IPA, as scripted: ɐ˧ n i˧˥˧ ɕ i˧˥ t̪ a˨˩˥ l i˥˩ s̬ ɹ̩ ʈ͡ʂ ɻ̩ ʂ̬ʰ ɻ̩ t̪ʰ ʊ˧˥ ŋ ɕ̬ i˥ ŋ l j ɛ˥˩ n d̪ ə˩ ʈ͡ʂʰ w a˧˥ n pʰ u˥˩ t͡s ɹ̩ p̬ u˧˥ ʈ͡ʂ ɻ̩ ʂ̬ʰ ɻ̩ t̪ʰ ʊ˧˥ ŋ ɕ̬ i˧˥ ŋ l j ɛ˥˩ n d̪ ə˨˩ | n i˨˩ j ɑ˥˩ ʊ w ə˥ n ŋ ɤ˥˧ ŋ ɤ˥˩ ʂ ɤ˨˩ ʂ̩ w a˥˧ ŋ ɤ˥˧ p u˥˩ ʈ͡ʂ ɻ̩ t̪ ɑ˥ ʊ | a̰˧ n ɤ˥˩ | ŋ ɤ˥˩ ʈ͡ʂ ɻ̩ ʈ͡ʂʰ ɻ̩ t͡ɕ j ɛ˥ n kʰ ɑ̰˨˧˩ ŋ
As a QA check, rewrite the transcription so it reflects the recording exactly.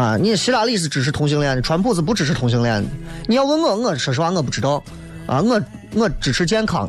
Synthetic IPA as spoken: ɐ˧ n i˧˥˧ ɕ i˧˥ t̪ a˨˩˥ l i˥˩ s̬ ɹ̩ ʈ͡ʂ ɻ̩ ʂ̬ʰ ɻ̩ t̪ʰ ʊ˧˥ ŋ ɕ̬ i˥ ŋ l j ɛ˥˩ n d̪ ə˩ ʈ͡ʂʰ w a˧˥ n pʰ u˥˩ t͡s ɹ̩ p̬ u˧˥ ʈ͡ʂ ɻ̩ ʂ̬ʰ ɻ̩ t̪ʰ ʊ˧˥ ŋ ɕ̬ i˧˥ ŋ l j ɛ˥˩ n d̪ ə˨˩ | n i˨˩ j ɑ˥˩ ʊ w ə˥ n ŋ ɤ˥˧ ŋ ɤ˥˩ ʂ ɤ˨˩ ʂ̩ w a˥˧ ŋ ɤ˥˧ p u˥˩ ʈ͡ʂ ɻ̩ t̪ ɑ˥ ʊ | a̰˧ ŋ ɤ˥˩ | ŋ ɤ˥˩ ʈ͡ʂ ɻ̩ ʈ͡ʂʰ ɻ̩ t͡ɕ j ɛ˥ n kʰ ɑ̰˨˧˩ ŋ